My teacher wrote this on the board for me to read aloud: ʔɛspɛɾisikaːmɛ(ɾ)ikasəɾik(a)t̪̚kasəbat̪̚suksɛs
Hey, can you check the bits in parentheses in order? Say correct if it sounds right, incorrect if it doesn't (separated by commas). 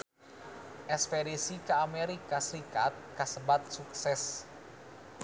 correct, correct